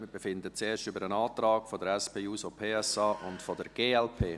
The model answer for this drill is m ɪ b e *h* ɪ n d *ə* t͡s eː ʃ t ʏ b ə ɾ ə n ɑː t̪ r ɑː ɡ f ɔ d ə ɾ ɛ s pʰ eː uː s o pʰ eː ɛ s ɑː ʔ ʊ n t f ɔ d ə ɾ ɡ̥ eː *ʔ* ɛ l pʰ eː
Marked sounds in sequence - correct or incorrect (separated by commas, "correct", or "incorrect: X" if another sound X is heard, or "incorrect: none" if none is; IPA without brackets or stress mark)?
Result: incorrect: f, correct, incorrect: none